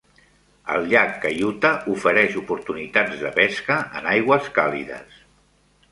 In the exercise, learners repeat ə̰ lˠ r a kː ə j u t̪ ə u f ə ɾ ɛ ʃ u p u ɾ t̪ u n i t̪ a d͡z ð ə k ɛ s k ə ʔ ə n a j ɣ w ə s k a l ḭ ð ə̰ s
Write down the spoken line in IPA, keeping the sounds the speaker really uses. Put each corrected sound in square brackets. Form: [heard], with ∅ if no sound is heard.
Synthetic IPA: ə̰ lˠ [ʎ] a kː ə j u t̪ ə u f ə ɾ ɛ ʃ u p u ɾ t̪ u n i t̪ a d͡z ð ə [p] ɛ s k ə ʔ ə n a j ɣ w ə s k a l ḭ ð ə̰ s